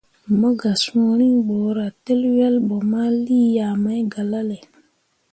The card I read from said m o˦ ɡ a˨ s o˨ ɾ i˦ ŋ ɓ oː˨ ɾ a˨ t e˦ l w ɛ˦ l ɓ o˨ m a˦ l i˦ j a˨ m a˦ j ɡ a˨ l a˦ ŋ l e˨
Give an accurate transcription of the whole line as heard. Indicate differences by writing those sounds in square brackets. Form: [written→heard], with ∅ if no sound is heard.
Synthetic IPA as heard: m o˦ ɡ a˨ s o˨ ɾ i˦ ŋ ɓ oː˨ ɾ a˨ t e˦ l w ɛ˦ l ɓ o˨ m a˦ l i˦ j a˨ m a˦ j ɡ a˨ l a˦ [ŋ→∅] l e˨